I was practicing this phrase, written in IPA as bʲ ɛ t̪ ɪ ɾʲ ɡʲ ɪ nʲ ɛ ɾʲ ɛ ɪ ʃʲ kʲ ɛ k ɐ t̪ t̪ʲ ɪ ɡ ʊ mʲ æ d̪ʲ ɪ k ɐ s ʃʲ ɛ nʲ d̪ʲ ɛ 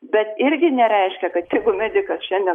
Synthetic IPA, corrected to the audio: bʲ ɛ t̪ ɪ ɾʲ ɡʲ ɪ nʲ ɛ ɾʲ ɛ ɪ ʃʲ kʲ ɛ k ɐ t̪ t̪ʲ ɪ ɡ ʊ mʲ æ d̪ʲ ɪ k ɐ s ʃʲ ɛ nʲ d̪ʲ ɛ